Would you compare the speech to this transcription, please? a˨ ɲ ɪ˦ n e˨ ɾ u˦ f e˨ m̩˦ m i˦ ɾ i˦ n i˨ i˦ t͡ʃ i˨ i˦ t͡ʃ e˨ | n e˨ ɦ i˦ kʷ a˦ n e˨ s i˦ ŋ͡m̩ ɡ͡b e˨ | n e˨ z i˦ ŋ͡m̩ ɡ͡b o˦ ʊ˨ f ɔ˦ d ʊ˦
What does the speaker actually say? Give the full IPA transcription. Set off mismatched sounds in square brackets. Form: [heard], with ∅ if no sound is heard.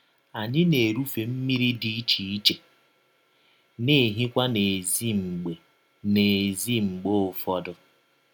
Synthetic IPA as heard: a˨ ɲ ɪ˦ n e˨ ɾ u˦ f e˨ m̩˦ m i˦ ɾ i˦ [d] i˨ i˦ t͡ʃ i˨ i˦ t͡ʃ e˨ | n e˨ ɦ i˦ kʷ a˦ n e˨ [z] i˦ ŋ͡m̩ ɡ͡b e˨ | n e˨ z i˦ ŋ͡m̩ ɡ͡b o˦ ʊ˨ f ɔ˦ d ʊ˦